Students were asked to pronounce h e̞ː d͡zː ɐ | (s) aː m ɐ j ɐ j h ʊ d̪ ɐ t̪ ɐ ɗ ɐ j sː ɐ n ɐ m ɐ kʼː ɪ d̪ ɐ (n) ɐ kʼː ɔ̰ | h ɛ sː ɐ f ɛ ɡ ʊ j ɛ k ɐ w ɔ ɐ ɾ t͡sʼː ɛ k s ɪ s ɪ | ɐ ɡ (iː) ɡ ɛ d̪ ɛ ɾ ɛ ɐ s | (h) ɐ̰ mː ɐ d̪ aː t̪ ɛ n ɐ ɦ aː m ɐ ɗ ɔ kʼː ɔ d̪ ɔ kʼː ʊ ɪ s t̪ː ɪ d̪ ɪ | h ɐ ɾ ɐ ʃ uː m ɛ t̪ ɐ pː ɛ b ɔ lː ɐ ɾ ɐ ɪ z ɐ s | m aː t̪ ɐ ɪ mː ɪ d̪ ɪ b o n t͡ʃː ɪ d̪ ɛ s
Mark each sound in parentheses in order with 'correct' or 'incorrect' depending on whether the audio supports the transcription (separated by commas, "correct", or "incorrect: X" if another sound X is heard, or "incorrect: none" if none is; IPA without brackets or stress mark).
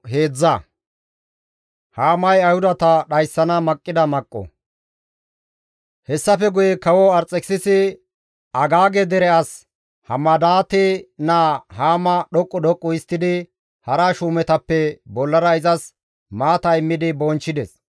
incorrect: h, incorrect: m, incorrect: aː, correct